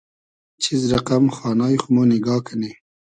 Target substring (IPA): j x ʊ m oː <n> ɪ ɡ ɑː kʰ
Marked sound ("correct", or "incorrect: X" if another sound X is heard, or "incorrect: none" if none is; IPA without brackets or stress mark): correct